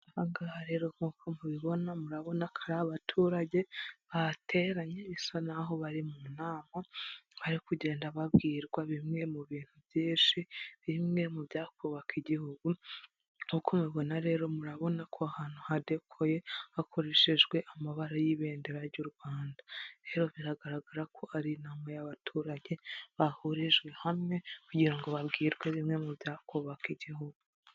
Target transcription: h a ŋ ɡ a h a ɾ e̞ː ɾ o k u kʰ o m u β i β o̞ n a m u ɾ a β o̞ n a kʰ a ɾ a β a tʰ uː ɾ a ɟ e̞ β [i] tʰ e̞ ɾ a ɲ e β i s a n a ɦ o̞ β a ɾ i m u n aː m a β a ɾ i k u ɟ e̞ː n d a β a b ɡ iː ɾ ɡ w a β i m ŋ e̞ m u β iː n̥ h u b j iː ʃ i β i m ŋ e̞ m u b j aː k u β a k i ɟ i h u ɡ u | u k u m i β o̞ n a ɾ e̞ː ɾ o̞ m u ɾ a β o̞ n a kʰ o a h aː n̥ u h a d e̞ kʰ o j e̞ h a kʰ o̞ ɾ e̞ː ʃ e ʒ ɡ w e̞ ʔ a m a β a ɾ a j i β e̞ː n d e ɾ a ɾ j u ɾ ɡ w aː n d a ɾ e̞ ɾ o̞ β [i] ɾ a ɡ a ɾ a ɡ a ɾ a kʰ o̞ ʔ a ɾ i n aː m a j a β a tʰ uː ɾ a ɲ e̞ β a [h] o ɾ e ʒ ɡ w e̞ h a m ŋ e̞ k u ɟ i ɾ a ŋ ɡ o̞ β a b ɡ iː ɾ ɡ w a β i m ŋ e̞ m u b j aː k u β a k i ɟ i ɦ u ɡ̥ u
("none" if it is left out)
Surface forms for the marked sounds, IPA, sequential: a, i, h

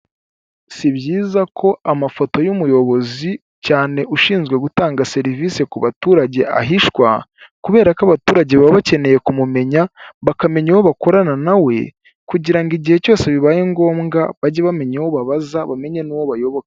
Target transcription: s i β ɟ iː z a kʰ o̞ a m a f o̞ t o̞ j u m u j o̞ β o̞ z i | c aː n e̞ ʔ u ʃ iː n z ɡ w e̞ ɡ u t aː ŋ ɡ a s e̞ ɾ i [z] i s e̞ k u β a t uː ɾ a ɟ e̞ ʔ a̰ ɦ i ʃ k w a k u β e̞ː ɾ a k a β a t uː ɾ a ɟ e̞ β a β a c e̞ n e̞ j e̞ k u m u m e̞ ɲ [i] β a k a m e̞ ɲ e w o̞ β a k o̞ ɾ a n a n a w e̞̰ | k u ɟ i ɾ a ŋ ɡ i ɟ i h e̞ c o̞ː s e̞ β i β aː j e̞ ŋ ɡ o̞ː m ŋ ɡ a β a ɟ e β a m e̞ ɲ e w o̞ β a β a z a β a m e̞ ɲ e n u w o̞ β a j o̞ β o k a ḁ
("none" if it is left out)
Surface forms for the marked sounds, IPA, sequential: v, a

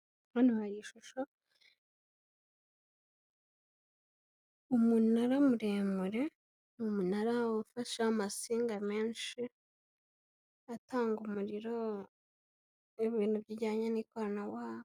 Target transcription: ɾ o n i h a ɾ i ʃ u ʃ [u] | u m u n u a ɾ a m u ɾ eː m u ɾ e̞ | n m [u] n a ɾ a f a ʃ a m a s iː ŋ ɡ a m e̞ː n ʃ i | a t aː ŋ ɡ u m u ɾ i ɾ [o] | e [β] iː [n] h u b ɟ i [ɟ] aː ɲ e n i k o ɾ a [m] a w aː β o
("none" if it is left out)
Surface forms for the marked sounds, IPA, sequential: o, u, o, β, n, ɟ, n

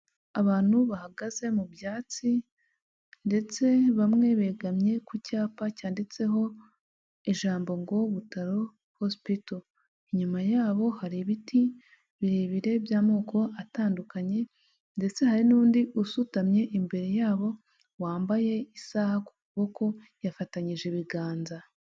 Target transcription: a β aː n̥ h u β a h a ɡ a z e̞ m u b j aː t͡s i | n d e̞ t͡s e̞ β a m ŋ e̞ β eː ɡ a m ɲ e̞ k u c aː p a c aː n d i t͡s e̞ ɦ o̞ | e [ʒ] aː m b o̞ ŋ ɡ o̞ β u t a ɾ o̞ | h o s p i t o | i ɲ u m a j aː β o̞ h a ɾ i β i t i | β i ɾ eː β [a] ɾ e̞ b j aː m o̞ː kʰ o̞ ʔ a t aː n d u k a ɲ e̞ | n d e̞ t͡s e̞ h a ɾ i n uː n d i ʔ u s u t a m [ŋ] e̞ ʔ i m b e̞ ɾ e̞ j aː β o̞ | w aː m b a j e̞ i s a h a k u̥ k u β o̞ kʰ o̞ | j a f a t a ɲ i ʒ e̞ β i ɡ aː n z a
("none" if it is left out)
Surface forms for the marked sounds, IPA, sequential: ʒ, i, ɲ

